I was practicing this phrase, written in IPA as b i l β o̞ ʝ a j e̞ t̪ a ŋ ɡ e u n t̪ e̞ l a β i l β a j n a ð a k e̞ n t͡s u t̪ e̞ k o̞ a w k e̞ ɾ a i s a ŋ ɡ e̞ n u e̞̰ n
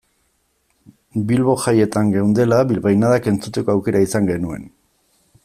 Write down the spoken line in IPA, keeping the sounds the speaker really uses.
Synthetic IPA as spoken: b i l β o̞ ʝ a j e̞ t̪ a ŋ ɡ e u n d̪ e̞ l a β i l β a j n a ð a k e̞ n t͡s u t̪ e̞ k o̞ a w k e̞ ɾ a i s a ŋ ɡ e̞ n u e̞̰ n